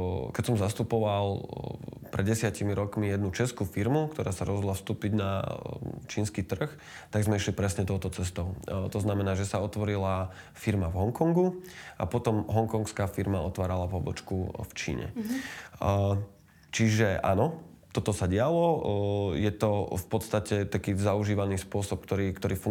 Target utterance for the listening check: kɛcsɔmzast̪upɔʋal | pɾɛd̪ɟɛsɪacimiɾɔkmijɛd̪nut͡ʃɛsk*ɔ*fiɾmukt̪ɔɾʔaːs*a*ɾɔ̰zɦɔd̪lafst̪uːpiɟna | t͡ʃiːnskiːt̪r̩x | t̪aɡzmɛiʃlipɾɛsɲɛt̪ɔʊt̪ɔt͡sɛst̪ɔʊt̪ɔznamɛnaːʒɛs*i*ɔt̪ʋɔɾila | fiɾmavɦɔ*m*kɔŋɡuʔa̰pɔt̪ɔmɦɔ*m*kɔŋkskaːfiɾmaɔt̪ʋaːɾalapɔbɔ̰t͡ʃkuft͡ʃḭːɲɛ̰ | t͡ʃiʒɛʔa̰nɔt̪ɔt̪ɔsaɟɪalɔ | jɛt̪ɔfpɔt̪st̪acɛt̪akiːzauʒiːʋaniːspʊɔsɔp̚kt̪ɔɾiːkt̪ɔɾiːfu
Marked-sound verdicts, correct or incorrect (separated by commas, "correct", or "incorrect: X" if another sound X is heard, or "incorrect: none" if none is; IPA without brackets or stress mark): incorrect: u, correct, incorrect: a, incorrect: ŋ, incorrect: ŋ